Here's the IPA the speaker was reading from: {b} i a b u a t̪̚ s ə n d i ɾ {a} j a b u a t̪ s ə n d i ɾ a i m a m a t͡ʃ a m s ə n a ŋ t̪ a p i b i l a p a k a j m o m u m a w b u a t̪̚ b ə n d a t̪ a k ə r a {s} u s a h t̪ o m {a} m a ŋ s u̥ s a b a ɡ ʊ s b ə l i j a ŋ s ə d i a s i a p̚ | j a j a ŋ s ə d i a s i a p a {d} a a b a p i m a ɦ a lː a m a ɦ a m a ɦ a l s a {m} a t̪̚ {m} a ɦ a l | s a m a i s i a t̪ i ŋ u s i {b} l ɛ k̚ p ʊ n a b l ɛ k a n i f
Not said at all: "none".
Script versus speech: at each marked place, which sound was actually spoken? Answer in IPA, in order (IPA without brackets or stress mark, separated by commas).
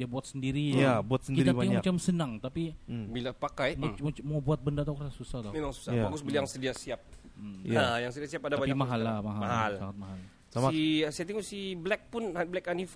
d, i, s, e, d, ŋ, m, b